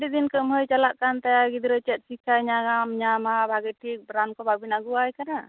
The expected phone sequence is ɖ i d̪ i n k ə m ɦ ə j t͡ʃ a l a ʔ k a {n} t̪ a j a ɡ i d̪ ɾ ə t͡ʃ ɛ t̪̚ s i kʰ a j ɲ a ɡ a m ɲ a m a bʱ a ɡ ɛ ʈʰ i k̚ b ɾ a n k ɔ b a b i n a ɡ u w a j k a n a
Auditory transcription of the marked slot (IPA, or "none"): n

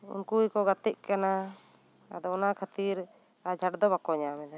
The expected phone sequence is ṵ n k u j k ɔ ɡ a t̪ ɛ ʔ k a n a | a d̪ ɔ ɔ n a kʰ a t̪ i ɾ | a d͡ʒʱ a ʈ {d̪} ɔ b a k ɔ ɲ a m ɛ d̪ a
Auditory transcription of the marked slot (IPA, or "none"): d̪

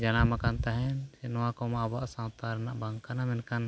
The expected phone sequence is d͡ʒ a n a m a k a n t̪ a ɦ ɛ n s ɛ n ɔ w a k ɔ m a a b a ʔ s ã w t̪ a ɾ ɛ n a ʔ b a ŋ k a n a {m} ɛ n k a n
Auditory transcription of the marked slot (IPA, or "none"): m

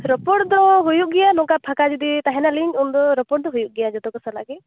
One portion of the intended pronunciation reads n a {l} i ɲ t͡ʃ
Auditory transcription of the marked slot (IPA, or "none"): l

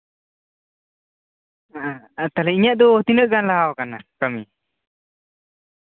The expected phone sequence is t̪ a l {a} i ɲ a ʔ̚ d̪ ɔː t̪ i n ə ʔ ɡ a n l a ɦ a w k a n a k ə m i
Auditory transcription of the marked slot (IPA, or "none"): ɛ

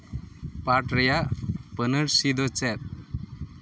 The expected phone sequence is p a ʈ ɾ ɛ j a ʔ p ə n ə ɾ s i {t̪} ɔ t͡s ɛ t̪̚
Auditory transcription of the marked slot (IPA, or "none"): d̪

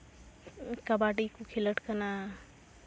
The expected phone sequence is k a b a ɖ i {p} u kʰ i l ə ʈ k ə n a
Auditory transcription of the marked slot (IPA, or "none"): k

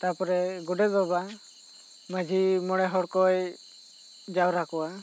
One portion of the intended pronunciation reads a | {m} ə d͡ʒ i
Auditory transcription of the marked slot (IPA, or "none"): m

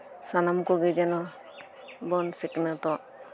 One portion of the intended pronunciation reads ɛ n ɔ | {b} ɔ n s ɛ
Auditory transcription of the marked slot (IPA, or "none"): b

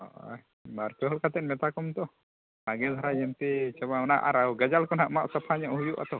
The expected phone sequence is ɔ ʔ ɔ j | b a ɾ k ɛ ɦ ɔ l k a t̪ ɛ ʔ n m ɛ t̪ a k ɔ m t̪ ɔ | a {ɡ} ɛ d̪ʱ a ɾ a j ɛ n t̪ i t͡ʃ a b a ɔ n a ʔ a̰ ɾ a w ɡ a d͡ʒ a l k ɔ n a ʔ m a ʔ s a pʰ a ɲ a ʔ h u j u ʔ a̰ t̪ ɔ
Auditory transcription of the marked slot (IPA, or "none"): ɡ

